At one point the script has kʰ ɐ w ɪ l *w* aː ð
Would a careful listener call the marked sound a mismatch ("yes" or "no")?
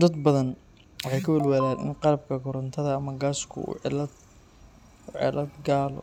no